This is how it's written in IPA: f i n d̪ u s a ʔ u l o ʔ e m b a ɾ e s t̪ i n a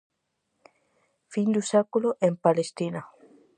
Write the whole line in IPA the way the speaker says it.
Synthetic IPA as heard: f i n d̪ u s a k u l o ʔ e m p a l e s t̪ i n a